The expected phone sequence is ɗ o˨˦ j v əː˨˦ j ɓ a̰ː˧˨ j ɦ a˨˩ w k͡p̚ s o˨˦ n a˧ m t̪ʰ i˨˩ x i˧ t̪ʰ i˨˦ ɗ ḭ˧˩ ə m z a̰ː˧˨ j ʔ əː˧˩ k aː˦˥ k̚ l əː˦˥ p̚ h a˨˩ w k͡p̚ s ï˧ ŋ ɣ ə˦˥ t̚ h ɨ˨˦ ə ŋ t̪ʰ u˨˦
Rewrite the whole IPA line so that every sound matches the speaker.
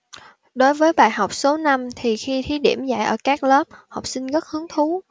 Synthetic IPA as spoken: ɗ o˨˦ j v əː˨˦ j ɓ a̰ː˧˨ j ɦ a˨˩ w k͡p̚ s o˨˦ n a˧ m t̪ʰ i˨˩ x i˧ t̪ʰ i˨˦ ɗ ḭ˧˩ ə m z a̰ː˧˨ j ʔ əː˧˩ k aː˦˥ k̚ l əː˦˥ p̚ h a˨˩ w k͡p̚ s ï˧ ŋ ɣ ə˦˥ t̚ h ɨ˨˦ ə ŋ t̪ʰ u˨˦